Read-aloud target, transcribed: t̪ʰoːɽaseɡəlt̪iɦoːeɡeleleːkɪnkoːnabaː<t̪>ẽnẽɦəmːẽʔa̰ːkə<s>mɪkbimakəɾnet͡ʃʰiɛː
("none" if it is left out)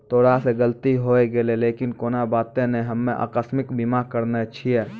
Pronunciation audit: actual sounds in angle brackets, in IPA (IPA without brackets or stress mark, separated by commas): t̪, s